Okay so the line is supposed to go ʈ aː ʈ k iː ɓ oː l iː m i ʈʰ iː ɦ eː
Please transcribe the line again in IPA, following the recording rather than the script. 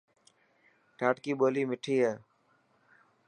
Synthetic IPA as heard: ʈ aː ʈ k iː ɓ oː l iː m ɪ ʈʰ iː ɦ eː

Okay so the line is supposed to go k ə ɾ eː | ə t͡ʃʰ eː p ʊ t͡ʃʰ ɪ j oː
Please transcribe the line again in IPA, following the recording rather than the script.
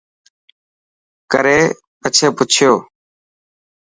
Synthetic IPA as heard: k ə ɾ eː | ə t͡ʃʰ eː p ʊ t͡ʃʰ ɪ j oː

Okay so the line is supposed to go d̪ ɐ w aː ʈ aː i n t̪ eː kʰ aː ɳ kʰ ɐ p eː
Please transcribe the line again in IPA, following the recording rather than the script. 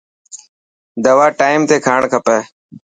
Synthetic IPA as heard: d̪ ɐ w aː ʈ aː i m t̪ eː kʰ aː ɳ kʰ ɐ p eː

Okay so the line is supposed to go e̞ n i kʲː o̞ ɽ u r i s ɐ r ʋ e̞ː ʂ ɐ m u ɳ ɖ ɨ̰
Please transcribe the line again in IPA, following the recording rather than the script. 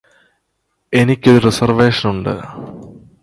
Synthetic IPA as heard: e̞ n i kʲː o̞ ɾ u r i s ɐ r ʋ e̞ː ʂ ɐ n u ɳ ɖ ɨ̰

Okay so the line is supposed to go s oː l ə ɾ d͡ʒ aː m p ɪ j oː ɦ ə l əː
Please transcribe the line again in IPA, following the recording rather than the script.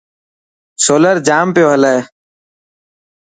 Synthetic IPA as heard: s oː l ə ɾ d͡ʒ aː m p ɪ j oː ɦ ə l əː

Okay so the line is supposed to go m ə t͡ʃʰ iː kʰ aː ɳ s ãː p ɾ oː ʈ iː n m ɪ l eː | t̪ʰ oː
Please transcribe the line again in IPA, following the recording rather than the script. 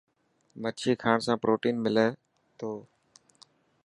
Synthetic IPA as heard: m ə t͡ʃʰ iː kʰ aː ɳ s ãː p ɾ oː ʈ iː n m ɪ l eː | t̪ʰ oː

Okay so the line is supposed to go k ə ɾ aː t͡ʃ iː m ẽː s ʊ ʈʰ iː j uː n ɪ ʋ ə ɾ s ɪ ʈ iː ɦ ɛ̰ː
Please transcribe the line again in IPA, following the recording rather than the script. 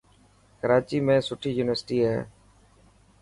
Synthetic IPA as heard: k ə ɾ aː t͡ʃ iː m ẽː s ʊ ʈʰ iː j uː n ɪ ʋ ə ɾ s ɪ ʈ iː ɦ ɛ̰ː

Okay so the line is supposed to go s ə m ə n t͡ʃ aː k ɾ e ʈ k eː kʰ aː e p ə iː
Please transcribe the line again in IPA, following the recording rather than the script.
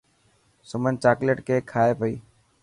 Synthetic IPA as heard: s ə m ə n t͡ʃ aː k l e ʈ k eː kʰ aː e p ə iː

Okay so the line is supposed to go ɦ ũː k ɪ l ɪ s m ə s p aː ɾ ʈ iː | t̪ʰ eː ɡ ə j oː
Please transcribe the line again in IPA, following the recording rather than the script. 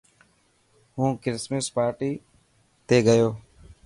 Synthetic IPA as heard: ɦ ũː k ɪ ɾ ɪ s m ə s p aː ɾ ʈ iː | t̪ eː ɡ ə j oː

